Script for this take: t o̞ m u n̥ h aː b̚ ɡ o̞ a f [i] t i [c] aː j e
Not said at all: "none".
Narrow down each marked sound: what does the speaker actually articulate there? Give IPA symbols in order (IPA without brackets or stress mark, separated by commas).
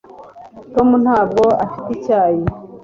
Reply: i, c